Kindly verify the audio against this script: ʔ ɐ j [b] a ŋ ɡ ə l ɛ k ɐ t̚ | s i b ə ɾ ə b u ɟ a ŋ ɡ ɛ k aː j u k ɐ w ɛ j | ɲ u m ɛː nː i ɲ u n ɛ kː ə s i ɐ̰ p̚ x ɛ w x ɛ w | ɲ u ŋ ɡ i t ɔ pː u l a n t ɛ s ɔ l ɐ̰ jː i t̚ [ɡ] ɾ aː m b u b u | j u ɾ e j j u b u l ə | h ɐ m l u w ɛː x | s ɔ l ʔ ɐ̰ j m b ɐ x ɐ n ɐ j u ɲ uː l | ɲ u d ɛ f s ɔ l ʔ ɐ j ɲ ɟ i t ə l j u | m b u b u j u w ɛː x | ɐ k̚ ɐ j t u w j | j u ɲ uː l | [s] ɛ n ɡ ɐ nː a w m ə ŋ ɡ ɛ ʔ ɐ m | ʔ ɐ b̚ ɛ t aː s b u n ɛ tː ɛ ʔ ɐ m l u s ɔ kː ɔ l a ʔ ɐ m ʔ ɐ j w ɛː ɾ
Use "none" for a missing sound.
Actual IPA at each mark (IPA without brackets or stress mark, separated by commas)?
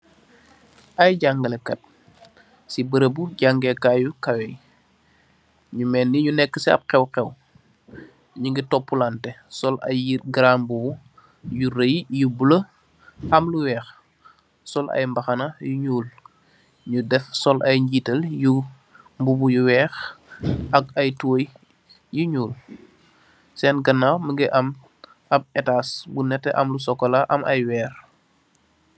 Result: ɟ, ɡ, s